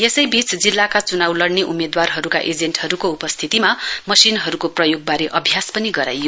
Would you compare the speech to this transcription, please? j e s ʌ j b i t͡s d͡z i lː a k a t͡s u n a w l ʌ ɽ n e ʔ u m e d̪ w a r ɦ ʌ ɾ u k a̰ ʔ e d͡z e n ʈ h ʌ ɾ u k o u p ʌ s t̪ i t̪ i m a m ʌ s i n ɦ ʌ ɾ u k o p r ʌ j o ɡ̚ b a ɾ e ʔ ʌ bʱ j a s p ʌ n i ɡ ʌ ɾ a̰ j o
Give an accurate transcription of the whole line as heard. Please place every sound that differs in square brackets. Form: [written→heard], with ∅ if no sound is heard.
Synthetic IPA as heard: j e s ʌ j b i t͡s d͡z i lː a k a t͡s u n a w l ʌ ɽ n e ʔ u m e d̪ w a r ɦ ʌ ɾ u k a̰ ʔ e d͡z e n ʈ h ʌ ɾ u k o u p ʌ s [t̪→t̪ʰ] i t̪ i m a m ʌ s i n ɦ ʌ ɾ u k o p r ʌ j o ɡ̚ b a ɾ e ʔ ʌ bʱ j a s p ʌ n i ɡ ʌ ɾ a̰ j o